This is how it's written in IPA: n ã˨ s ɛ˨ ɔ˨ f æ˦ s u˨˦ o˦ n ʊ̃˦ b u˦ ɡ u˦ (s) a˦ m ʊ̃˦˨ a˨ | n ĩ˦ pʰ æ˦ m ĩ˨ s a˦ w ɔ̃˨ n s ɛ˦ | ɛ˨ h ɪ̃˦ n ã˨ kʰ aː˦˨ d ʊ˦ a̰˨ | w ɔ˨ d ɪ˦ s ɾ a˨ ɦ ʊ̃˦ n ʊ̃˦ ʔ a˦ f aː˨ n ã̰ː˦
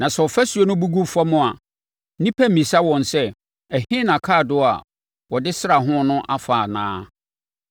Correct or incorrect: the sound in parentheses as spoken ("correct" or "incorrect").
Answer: incorrect